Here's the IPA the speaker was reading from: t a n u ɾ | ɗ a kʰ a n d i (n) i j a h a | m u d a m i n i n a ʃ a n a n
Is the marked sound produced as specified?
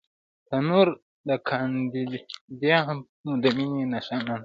no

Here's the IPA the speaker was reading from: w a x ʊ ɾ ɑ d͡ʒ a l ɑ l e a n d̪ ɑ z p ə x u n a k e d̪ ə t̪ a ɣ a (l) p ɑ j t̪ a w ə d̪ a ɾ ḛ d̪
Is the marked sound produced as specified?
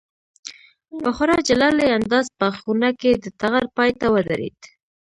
no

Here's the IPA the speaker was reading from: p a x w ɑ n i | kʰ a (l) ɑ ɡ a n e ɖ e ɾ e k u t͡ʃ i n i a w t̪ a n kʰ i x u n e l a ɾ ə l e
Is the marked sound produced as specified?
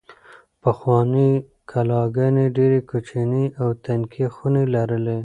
yes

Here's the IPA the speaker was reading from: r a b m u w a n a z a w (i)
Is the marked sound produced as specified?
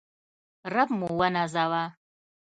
no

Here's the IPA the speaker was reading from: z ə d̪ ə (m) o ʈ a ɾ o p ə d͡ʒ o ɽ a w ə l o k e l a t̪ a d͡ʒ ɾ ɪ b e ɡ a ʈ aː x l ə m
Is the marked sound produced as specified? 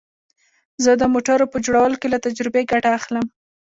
yes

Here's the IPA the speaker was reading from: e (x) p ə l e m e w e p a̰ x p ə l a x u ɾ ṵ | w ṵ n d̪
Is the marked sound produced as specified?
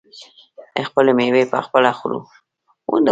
yes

